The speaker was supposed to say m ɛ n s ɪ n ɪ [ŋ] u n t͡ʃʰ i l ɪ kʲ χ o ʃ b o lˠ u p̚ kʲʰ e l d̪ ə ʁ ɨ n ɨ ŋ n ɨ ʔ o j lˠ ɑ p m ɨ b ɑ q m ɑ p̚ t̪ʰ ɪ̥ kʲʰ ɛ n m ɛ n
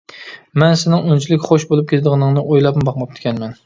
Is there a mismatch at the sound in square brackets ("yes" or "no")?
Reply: no